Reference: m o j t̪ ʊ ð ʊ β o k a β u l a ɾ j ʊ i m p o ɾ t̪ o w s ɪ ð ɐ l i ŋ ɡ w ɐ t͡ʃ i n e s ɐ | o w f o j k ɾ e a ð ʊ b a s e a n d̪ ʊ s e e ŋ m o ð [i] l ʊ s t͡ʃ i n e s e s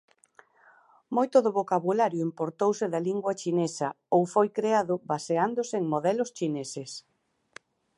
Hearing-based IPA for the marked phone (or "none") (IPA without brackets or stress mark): ɛ